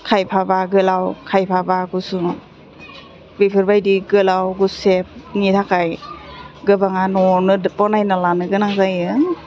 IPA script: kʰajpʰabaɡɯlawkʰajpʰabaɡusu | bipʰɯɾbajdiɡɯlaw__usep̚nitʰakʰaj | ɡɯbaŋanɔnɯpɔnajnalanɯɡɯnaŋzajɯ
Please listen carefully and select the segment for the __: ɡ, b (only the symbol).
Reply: ɡ